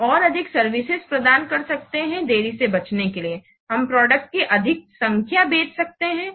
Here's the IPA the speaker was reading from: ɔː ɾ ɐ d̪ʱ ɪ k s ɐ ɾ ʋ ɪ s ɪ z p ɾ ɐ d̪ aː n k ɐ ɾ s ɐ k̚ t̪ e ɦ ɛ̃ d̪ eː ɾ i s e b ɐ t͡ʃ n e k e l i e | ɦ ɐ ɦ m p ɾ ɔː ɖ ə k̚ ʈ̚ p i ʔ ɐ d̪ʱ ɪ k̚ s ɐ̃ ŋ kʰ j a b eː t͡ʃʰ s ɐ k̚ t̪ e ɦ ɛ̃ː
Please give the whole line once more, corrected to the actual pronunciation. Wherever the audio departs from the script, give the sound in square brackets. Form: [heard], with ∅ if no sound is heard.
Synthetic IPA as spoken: ɔː ɾ ɐ d̪ʱ ɪ k s ɐ ɾ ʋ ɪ s ɪ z p ɾ ɐ d̪ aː n k ɐ ɾ s ɐ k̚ t̪ e ɦ ɛ̃ d̪ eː ɾ i s e b ɐ t͡ʃ n e k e l i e | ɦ ɐ [∅] m p ɾ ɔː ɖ ə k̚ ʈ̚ [k] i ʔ ɐ d̪ʱ ɪ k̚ s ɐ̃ ŋ kʰ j a b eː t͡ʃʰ s ɐ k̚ t̪ e ɦ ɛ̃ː